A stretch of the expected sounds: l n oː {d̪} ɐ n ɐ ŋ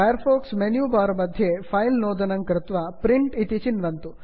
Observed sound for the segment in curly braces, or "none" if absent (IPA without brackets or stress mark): d̪